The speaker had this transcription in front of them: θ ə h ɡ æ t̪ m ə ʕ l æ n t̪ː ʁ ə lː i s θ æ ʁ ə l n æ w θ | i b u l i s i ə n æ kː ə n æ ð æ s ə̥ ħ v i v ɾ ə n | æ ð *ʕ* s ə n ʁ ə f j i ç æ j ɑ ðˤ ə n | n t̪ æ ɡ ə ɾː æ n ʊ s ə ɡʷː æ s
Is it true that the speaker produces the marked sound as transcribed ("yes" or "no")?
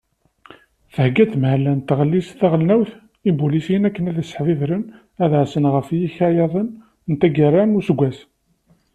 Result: yes